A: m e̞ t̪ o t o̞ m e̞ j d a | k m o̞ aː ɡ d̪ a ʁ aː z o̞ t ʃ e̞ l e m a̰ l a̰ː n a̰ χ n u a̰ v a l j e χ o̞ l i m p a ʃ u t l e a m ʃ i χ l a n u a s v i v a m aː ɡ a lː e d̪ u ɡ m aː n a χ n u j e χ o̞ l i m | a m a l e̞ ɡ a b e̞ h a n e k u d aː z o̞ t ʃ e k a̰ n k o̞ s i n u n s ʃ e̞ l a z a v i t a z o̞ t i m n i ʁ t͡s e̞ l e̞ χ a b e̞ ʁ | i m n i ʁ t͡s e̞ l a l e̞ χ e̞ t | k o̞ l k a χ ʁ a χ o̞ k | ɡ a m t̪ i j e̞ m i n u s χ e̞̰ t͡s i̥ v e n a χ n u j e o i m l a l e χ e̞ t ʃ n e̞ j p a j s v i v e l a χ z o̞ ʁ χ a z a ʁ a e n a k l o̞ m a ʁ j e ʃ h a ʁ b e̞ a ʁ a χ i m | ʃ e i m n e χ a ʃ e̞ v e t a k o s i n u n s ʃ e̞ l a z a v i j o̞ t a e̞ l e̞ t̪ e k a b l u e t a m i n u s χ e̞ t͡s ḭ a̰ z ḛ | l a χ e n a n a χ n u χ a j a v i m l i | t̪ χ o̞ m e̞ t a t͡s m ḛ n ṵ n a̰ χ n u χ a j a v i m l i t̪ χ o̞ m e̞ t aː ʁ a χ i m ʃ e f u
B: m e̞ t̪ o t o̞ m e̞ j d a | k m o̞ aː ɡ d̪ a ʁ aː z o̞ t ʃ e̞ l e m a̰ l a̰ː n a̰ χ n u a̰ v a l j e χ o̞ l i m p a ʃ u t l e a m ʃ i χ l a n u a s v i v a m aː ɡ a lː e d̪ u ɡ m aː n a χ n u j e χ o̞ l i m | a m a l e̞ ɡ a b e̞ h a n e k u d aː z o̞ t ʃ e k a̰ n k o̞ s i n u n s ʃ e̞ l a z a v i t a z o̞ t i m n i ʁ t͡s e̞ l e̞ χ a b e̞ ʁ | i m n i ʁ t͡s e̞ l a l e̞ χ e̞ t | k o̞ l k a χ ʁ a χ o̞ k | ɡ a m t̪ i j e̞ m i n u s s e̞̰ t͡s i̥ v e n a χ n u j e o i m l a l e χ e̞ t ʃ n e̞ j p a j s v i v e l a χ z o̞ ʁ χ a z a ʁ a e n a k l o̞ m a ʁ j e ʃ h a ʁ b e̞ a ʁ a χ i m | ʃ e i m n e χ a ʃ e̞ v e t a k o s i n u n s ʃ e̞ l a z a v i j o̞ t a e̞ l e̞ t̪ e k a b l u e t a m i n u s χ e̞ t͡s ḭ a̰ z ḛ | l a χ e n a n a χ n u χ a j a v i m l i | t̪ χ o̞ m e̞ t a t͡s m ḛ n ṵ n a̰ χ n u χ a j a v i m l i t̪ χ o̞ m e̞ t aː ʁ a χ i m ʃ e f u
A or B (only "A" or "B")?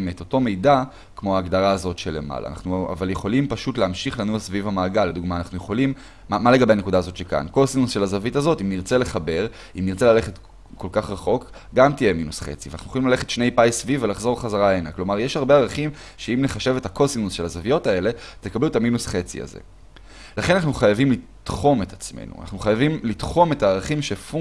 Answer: A